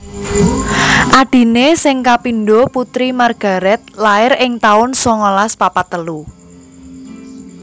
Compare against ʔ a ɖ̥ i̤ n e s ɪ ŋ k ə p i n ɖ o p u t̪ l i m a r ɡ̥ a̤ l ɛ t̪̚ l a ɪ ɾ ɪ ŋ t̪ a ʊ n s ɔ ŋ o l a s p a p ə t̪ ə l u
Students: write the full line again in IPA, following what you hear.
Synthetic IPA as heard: ʔ a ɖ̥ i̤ n e s ɪ ŋ k a p i n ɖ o p u t̪ ɾ i m a r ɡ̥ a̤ ɾ ɛ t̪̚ l a ɪ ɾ ɪ ŋ t̪ a ʊ n s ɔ ŋ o l a s p a p a t̪ ə l u